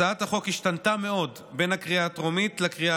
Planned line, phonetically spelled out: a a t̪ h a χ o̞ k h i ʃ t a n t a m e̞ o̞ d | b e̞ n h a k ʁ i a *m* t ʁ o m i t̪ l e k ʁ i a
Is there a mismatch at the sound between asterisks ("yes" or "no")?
yes